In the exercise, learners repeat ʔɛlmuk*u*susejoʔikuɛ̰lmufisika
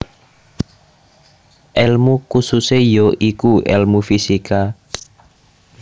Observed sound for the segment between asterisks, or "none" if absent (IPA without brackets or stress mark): u